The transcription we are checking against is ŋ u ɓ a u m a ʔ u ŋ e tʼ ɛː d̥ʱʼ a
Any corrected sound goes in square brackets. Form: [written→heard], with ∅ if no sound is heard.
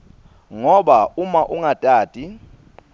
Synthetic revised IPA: ŋ [u→ɔ] ɓ a u m a ʔ u ŋ [e→a] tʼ [ɛː→aː] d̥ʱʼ [a→i]